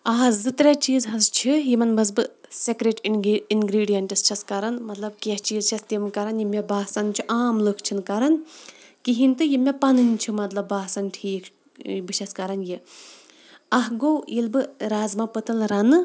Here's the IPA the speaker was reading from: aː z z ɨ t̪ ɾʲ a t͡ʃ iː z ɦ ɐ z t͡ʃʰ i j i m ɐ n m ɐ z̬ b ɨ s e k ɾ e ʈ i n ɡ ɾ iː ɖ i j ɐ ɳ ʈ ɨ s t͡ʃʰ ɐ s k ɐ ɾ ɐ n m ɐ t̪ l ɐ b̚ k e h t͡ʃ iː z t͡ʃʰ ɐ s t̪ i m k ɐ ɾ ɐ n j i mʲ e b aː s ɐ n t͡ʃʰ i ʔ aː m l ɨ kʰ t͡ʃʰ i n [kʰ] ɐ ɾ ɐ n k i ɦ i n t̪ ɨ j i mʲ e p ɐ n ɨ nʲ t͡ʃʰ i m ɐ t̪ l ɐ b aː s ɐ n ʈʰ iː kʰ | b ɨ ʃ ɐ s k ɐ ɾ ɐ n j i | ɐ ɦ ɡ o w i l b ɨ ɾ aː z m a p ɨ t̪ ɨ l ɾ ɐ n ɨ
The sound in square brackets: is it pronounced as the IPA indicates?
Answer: no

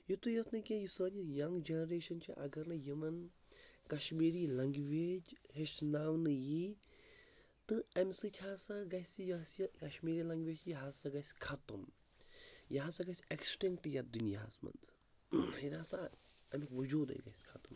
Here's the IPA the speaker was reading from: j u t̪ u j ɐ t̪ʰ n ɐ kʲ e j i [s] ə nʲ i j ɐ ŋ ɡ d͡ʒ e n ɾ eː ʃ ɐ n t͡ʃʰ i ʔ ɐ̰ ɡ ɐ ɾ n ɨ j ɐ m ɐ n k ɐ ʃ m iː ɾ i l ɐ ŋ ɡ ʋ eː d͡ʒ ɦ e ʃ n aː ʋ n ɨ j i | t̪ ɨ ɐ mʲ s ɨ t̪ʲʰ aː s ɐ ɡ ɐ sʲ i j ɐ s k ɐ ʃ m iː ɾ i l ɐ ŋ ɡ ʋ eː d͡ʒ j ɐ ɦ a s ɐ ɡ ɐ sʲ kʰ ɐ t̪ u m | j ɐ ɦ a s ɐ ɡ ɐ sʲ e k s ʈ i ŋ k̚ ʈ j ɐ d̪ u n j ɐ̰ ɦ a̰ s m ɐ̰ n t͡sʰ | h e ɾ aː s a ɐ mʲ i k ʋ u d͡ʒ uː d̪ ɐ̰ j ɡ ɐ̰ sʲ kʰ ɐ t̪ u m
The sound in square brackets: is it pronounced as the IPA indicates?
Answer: yes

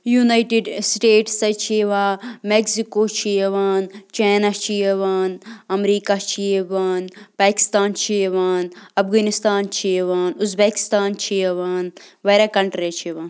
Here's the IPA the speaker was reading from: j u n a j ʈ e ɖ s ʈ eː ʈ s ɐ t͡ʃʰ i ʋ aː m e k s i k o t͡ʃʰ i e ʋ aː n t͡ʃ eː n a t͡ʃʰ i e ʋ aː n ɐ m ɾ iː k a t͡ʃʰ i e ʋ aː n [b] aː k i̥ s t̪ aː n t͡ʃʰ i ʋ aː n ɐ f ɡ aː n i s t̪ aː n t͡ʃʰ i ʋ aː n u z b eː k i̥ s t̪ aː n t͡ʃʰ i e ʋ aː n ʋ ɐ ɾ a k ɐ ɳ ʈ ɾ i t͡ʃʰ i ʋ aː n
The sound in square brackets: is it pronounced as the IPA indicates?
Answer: no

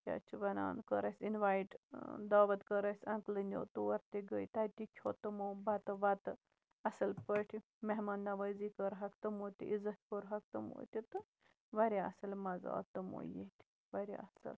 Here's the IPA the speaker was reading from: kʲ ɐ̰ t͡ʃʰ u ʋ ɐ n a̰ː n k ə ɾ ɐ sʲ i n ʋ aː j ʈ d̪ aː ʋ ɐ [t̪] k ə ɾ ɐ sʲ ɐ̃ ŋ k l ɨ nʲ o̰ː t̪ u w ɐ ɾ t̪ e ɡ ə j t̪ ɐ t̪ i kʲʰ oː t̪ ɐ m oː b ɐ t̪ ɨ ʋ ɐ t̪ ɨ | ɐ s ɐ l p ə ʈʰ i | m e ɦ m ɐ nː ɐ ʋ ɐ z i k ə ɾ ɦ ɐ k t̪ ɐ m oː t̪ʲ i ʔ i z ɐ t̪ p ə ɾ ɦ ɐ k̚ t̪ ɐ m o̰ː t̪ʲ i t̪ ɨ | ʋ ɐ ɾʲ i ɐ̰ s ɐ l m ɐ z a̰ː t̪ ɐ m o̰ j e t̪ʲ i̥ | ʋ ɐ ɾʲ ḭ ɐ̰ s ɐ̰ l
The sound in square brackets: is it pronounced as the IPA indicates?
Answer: yes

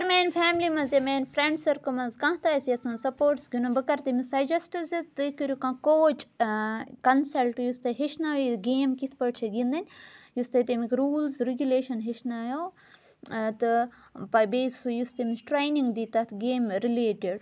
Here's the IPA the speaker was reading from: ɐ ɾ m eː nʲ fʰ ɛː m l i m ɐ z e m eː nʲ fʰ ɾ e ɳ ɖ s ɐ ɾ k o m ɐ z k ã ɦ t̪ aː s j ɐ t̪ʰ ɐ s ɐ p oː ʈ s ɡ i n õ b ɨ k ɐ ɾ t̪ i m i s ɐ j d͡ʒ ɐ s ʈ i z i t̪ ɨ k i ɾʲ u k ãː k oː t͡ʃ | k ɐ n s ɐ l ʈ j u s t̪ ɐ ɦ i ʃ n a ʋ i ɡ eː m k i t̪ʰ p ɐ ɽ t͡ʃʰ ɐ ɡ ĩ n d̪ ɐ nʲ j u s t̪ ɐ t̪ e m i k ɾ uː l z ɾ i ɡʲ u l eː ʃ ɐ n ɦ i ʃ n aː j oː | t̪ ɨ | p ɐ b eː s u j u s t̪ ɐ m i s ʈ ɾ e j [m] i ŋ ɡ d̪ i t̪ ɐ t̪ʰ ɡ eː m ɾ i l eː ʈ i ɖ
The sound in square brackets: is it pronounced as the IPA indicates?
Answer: no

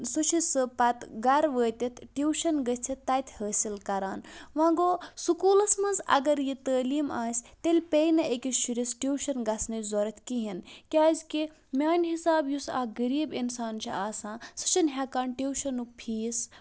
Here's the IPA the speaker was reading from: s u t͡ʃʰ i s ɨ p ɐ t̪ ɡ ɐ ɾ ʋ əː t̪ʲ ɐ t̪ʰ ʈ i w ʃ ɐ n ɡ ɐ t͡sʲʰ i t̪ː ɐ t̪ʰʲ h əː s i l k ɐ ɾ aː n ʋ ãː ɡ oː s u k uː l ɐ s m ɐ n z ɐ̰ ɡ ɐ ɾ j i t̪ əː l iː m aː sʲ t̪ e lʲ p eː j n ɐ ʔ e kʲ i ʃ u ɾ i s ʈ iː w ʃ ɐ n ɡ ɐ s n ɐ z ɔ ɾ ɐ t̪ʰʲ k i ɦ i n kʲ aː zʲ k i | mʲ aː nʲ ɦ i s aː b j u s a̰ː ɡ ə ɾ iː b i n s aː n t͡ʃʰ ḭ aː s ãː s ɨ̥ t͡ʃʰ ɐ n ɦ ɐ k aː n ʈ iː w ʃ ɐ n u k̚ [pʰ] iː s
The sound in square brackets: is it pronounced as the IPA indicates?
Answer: yes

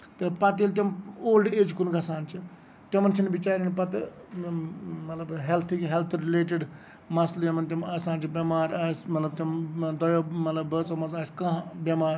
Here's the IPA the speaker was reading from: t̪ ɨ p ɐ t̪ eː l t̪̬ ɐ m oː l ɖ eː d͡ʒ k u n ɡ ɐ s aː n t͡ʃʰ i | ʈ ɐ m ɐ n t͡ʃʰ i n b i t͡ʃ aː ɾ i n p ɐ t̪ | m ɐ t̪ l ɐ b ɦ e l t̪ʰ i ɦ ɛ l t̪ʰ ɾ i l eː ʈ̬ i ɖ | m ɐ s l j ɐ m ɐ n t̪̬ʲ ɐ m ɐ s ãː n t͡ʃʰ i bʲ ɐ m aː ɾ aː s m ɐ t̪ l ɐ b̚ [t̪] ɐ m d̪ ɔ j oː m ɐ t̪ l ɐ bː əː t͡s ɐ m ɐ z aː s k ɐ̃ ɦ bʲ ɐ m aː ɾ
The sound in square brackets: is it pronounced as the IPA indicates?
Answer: yes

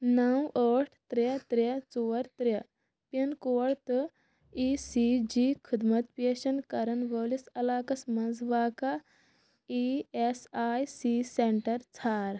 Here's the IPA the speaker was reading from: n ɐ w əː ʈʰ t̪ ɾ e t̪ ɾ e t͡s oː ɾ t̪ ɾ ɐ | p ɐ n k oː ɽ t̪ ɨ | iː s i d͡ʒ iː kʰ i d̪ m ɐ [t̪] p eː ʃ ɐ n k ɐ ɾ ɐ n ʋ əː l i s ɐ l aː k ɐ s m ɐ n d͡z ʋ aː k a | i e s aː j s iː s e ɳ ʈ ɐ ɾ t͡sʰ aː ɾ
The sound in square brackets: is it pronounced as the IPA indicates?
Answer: yes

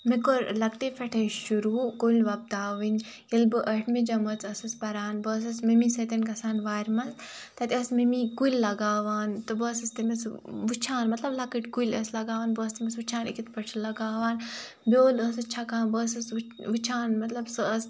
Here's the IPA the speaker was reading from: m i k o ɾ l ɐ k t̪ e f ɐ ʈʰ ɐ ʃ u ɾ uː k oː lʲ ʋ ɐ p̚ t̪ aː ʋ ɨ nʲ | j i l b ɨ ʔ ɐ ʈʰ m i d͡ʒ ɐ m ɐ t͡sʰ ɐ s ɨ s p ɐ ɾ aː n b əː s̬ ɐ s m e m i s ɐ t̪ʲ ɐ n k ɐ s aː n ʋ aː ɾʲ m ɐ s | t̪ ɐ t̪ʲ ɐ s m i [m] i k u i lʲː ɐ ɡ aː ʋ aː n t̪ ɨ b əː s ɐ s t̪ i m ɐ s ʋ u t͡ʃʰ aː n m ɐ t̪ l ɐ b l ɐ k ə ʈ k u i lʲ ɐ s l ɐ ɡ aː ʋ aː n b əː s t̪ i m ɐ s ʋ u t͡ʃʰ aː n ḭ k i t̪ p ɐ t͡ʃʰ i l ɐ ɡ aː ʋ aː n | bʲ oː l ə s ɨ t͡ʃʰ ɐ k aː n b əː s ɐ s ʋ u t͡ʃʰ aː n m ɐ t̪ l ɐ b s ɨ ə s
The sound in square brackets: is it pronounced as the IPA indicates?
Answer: yes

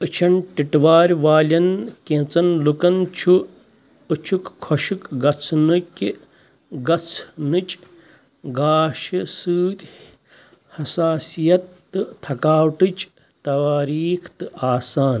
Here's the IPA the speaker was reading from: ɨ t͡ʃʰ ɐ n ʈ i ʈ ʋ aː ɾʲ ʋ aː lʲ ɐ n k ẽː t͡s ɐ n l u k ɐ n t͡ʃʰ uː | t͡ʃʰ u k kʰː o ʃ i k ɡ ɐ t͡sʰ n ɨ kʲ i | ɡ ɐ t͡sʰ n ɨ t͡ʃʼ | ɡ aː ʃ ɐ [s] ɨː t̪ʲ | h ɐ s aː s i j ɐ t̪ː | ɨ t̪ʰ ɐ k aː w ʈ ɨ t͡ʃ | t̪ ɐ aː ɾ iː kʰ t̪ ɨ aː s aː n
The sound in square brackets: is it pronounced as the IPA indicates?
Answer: yes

